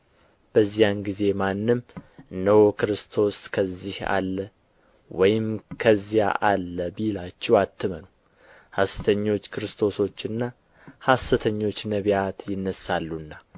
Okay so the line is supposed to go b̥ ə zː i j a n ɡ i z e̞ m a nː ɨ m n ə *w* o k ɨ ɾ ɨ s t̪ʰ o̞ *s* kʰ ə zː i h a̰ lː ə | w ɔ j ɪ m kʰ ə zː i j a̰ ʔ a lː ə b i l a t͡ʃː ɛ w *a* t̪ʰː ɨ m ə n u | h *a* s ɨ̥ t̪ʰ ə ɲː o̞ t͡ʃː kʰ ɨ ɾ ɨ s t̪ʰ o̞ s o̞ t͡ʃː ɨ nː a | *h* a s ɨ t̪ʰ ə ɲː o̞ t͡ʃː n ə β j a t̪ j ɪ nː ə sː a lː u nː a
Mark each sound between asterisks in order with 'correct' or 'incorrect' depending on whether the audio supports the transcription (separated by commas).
correct, correct, correct, correct, correct